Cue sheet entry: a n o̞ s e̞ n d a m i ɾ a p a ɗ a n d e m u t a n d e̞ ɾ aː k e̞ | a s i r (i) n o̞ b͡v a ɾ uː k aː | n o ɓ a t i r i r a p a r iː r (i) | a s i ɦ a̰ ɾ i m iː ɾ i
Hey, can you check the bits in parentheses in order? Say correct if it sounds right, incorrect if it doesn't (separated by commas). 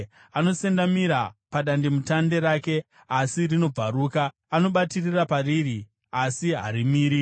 correct, correct